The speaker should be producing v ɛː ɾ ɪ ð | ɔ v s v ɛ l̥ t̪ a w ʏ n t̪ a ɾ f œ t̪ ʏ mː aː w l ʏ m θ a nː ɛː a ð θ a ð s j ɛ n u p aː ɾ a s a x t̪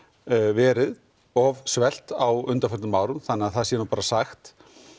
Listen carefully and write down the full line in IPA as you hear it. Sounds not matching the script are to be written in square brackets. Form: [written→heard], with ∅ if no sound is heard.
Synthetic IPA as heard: v ɛː ɾ ɪ ð | ɔ v s v ɛ l̥ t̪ a w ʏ n t̪ a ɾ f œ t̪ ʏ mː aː w [l→ɾ] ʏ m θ a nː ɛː a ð θ a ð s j ɛ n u p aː ɾ a s a x t̪